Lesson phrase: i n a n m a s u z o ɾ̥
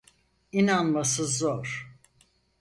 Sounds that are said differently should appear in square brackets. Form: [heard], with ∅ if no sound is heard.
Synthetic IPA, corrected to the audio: i n a n m a s [ɯ] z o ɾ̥